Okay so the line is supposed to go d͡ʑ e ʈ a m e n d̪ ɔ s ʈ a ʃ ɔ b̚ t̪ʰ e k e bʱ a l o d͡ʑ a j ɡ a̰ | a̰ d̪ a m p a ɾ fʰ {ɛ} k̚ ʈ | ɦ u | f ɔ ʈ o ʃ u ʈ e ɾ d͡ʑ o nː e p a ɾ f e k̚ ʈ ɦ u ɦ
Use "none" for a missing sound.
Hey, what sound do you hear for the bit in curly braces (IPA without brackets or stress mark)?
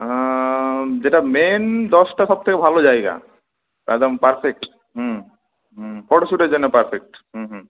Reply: e